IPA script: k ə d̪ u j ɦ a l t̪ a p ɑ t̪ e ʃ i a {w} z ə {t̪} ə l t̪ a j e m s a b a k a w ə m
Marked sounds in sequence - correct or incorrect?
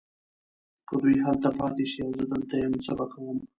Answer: correct, incorrect: d̪

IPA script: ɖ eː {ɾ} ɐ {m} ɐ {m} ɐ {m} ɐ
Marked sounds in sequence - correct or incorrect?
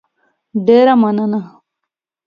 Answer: correct, correct, incorrect: n, incorrect: n

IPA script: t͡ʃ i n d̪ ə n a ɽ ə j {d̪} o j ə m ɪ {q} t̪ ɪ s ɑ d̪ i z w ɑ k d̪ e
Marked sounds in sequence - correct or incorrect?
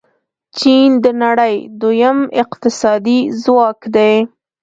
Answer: correct, correct

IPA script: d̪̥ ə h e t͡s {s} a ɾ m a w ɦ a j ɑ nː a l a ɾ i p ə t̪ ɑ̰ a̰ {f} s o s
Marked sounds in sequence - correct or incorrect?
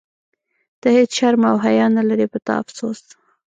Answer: incorrect: ʃ, correct

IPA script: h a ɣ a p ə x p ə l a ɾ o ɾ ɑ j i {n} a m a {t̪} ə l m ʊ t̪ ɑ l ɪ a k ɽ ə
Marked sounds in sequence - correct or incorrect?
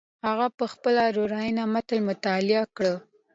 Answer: correct, correct

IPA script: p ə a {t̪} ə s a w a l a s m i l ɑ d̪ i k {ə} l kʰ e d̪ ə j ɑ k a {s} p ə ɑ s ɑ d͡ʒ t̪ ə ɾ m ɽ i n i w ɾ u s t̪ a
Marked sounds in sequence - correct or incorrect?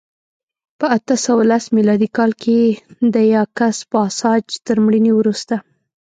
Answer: correct, incorrect: ɑ, correct

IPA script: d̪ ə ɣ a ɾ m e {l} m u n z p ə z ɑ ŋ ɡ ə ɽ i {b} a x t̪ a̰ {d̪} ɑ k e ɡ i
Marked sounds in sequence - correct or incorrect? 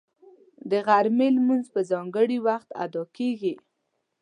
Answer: correct, incorrect: w, correct

